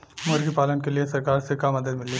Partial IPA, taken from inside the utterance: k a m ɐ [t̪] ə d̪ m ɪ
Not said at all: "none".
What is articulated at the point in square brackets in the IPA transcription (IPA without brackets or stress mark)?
d̪